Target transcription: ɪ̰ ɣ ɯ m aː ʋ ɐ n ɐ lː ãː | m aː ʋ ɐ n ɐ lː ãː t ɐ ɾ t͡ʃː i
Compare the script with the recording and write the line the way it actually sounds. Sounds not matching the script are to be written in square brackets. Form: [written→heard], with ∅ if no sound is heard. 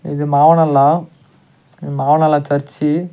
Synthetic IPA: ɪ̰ [ɣ→ð] ɯ m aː ʋ ɐ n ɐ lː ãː | m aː ʋ ɐ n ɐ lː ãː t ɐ ɾ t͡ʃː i